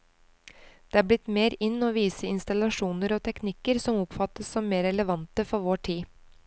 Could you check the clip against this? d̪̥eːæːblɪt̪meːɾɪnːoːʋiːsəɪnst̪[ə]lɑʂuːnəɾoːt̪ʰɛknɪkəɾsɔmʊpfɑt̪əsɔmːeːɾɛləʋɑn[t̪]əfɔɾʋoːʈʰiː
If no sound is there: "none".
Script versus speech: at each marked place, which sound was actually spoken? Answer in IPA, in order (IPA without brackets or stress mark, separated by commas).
ɑ, t̪